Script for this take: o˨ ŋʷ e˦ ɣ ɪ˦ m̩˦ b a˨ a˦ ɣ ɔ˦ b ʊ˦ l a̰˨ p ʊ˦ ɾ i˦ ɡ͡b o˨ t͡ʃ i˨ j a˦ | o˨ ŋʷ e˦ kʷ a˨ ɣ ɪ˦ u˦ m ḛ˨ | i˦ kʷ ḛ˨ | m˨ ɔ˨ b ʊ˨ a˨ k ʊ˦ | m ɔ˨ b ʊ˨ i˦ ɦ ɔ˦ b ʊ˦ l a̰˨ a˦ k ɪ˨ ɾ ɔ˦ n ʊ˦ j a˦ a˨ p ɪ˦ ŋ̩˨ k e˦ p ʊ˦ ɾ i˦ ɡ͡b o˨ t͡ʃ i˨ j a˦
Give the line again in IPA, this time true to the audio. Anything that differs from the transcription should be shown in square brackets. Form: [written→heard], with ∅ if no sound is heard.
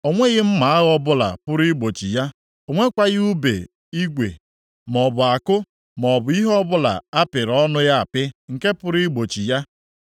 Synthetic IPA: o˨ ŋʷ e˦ ɣ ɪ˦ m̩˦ [b→m] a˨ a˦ ɣ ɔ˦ b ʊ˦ l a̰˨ p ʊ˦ ɾ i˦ ɡ͡b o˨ t͡ʃ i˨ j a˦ | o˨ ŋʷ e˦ kʷ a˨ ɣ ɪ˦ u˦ [m→b] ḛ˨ | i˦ [kʷ→ɡʷ] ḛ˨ | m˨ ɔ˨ b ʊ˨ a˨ k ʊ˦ | m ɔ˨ b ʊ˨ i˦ ɦ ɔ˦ b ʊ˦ l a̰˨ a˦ [k→p] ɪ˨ ɾ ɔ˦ n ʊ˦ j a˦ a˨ p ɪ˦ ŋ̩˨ k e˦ p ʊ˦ ɾ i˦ ɡ͡b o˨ t͡ʃ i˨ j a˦